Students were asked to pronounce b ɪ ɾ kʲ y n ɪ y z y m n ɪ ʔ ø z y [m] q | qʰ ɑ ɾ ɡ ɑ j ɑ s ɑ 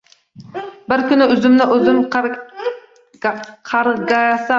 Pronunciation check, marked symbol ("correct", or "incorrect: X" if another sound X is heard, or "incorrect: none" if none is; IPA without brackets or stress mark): correct